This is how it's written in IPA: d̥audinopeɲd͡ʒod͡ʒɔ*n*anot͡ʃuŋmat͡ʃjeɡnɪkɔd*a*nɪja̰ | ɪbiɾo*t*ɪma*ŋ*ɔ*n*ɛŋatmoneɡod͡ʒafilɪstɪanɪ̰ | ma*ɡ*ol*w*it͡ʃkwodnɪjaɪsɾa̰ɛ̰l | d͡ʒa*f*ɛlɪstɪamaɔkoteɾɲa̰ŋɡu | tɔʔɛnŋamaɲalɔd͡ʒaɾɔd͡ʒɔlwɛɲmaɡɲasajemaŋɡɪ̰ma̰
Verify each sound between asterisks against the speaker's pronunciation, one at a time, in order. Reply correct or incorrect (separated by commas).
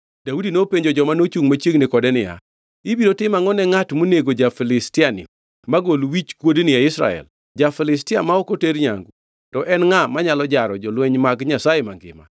incorrect, incorrect, correct, correct, correct, correct, correct, correct